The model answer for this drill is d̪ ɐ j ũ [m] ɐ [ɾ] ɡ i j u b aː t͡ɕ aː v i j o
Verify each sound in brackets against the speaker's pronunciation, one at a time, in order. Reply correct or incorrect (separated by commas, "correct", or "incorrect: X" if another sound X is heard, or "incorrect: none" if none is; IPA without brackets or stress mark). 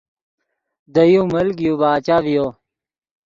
correct, incorrect: l